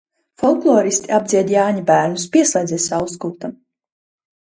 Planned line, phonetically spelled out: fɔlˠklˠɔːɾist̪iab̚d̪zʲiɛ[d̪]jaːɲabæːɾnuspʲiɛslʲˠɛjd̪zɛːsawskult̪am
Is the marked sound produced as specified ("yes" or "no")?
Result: yes